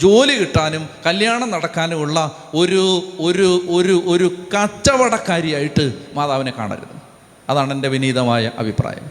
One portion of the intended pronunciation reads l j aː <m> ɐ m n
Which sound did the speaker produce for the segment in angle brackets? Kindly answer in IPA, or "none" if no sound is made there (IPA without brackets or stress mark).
ɳ